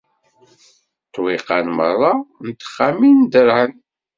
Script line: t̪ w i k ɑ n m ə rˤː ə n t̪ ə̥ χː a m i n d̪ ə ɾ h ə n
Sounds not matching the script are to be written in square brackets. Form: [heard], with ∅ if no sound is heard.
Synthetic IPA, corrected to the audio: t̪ w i [q] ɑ n m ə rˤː [ɑ] n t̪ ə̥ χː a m i n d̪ ə ɾ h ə n